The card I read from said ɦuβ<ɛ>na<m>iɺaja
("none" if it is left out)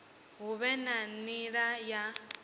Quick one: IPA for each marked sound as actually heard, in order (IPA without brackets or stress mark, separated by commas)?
ɛ, n